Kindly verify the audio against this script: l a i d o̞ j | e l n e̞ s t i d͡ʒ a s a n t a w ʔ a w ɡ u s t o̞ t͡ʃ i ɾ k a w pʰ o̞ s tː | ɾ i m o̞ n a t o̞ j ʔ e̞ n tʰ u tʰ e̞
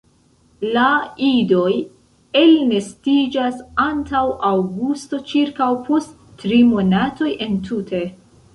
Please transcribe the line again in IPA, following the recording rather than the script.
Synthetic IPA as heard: l a i d o̞ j | e l n e̞ s t i d͡ʒ a s a n t a w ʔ a w ɡ u s t o̞ t͡ʃ i ɾ k a w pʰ o̞ s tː | ɾ i m o̞ n a t o̞ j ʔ e̞ n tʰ u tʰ e̞